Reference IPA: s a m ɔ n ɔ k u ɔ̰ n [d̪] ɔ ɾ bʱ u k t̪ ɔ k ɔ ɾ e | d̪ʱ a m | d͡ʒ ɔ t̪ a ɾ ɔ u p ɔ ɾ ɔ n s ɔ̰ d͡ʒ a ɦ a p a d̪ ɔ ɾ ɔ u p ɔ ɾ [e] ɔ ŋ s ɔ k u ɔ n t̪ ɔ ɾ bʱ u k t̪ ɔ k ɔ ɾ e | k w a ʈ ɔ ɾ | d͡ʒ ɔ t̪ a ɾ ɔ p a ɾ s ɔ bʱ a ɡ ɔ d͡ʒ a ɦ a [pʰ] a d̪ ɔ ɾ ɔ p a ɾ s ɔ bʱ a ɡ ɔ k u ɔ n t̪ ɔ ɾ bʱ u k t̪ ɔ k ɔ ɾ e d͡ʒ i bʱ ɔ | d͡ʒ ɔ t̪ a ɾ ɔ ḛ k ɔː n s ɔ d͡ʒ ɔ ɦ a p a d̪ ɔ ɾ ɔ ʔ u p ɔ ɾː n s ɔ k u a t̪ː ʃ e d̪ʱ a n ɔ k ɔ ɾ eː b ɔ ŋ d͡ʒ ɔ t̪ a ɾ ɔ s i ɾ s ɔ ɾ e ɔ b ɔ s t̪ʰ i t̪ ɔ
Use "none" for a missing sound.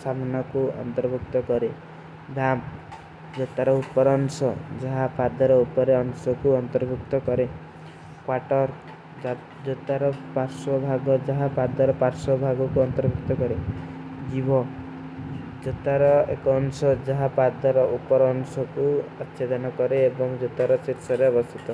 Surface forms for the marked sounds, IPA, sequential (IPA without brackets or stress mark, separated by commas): t̪, e, p